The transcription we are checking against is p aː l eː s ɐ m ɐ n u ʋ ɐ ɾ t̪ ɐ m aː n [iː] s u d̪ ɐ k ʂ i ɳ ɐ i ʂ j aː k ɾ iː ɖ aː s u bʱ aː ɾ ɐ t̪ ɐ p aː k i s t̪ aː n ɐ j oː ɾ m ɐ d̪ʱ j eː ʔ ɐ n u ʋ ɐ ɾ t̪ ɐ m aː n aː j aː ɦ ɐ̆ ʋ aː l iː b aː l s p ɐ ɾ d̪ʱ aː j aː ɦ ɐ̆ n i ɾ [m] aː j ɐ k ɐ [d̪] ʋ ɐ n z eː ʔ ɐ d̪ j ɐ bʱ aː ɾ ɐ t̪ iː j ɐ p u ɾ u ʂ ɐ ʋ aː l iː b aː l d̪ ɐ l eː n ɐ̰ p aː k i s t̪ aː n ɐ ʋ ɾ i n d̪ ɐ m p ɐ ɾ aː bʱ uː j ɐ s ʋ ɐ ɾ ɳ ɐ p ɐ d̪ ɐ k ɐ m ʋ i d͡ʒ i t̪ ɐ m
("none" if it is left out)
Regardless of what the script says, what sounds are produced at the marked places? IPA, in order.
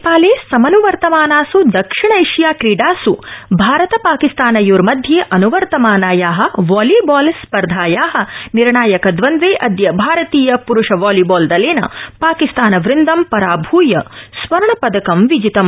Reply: aː, ɳ, d̪

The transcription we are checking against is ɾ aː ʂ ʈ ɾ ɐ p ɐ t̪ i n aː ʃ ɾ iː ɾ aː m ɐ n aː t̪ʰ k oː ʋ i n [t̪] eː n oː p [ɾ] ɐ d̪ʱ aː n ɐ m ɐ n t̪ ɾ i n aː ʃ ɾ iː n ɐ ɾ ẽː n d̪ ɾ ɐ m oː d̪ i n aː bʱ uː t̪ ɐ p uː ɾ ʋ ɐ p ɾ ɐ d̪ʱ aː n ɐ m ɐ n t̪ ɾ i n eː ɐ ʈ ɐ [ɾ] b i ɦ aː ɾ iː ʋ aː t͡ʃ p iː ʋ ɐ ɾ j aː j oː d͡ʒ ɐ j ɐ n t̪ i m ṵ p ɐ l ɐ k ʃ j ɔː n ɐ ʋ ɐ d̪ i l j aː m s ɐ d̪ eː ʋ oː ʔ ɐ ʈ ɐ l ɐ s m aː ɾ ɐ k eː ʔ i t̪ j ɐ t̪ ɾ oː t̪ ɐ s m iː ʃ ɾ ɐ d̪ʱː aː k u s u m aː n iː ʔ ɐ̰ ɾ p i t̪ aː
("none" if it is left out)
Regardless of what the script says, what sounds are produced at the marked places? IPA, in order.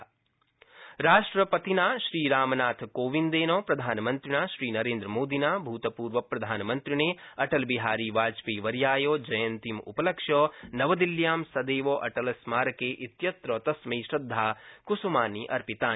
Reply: d̪, ɾ, l

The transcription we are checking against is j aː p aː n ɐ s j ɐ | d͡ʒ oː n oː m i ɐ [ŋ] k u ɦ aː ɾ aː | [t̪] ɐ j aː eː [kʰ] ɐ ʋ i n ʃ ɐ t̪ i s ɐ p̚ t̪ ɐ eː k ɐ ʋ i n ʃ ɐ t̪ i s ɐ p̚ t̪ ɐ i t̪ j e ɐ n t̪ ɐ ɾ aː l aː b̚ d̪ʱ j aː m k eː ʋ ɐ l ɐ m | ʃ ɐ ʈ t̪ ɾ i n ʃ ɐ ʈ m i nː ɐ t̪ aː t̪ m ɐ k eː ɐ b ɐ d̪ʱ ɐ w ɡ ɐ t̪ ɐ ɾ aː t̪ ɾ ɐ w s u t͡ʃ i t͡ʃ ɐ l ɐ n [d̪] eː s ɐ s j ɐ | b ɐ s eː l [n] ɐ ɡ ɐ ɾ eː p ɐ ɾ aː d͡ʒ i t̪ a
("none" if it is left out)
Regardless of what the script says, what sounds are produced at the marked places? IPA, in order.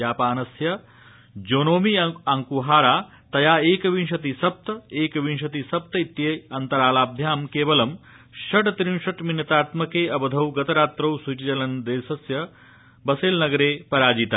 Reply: ŋ, t̪, k, d̪, n

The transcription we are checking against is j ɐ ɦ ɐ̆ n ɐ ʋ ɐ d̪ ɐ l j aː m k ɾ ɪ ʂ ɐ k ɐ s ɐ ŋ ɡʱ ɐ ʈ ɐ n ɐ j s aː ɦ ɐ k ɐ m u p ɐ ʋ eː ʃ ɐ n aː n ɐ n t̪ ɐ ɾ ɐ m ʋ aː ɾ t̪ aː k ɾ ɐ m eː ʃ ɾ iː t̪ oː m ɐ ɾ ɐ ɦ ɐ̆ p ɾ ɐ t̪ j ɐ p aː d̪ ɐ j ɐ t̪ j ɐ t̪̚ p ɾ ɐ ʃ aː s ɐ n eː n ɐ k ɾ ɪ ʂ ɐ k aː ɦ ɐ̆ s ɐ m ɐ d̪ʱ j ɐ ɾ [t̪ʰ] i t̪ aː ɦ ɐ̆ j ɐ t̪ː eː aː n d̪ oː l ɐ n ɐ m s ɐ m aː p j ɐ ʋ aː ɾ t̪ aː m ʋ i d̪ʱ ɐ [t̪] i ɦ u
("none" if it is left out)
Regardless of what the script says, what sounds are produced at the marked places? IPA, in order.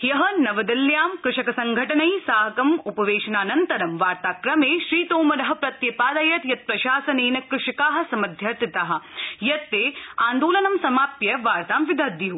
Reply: t̪, d̪

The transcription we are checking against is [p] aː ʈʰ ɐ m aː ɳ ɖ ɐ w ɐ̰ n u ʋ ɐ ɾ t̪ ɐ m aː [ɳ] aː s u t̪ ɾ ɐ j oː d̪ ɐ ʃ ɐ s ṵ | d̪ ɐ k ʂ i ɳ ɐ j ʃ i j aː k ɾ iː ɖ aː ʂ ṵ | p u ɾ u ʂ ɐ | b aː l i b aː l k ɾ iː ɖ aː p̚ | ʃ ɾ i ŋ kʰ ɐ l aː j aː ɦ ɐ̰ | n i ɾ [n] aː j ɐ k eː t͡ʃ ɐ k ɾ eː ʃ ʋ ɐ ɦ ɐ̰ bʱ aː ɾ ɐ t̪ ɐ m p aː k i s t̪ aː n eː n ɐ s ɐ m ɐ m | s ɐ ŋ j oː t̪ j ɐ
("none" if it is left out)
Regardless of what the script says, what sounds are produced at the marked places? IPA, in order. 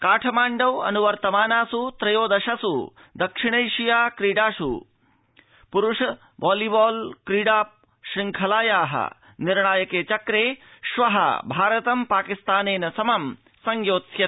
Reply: k, n, ɳ

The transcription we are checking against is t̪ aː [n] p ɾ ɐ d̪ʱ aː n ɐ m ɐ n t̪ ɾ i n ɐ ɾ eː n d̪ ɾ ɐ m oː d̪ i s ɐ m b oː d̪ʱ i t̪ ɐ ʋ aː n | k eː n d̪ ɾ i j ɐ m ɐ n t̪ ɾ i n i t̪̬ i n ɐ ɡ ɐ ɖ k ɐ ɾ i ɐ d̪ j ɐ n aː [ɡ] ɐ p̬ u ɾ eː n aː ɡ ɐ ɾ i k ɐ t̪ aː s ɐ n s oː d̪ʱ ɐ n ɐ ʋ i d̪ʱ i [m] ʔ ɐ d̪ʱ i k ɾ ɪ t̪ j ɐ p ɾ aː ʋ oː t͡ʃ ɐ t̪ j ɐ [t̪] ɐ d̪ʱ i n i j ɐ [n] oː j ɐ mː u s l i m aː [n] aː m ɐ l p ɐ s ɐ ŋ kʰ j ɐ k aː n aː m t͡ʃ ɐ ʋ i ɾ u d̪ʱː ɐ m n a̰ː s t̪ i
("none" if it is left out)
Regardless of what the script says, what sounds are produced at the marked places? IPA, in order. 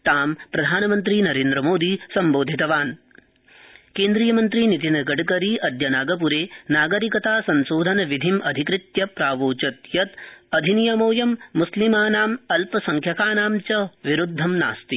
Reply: m, ɡ, m, t̪, m, n

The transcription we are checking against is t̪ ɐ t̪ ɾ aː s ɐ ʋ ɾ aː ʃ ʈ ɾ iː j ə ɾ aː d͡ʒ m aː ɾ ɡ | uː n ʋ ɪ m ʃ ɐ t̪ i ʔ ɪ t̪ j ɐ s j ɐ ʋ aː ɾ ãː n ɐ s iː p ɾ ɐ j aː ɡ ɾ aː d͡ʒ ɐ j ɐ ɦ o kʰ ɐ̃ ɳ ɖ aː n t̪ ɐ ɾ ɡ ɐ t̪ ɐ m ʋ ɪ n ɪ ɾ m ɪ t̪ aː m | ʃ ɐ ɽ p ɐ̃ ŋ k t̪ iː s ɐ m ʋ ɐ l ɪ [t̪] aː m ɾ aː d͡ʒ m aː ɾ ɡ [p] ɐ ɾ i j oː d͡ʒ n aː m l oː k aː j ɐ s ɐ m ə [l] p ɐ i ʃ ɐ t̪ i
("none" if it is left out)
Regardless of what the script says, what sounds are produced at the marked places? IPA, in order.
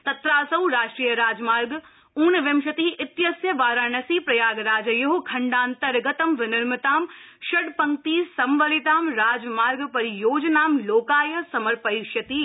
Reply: t̪, p, ɾ

